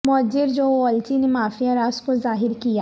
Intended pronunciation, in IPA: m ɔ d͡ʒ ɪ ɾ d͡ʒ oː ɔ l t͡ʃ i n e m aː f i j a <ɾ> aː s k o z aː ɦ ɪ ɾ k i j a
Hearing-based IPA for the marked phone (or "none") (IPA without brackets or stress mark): ɾ